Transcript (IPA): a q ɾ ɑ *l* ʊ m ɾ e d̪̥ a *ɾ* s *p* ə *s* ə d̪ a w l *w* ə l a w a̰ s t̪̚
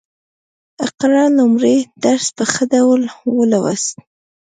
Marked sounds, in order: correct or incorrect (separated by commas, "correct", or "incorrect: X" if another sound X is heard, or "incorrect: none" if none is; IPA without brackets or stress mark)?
correct, correct, correct, incorrect: x, correct